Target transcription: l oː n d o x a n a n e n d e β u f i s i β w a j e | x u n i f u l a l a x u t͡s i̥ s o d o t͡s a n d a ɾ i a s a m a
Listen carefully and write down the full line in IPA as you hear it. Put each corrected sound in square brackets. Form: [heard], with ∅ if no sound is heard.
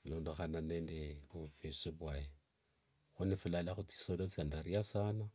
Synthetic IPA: l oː n d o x a n a n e n d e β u f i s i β w a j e | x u n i f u l a l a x u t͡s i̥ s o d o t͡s a n d a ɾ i a s a [n] a